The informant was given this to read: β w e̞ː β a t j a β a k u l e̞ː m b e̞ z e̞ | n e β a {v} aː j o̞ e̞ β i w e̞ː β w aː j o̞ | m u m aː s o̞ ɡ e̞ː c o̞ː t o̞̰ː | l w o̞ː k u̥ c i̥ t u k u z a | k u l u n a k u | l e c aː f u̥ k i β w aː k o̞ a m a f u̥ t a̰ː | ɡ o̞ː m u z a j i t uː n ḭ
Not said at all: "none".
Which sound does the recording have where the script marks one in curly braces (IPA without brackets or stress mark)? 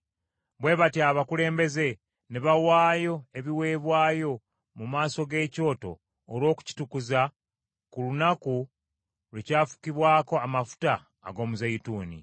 w